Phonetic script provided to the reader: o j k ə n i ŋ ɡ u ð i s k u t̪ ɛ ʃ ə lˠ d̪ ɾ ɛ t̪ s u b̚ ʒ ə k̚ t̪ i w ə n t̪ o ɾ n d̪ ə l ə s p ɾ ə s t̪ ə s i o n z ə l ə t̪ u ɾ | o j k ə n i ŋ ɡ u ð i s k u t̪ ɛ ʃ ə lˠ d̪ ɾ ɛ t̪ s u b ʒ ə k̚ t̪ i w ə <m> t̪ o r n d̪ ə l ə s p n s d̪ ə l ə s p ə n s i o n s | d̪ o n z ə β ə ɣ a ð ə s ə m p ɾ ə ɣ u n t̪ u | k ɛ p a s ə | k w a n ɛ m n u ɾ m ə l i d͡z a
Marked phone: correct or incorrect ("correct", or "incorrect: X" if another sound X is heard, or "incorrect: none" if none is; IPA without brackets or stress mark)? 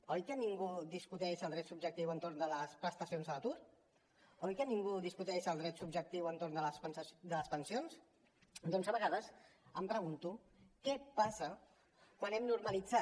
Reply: incorrect: n